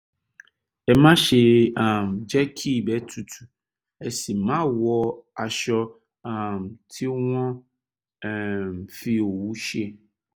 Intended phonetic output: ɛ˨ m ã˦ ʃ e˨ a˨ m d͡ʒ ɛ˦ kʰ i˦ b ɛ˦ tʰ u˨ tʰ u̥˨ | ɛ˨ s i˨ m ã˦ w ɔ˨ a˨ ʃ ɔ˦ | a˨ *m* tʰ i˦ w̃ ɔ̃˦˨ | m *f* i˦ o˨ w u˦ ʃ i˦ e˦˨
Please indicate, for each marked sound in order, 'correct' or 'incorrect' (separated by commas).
correct, correct